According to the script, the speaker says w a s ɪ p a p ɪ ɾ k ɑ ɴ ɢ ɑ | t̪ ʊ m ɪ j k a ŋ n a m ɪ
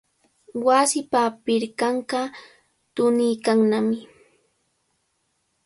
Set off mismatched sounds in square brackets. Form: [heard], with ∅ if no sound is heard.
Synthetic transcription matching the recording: w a s ɪ p a p ɪ ɾ k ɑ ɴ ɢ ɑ | t̪ ʊ [n] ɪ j k a ŋ n a m ɪ